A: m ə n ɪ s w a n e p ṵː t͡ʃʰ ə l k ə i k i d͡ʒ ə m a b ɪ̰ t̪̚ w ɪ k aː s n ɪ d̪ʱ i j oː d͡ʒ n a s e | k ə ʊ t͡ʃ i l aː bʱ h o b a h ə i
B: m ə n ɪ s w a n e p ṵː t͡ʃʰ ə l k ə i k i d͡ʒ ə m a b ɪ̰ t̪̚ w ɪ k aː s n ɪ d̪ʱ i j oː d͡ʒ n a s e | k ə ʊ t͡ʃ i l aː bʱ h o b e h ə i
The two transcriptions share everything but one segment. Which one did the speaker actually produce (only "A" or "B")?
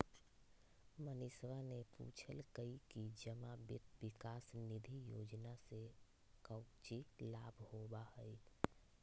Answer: A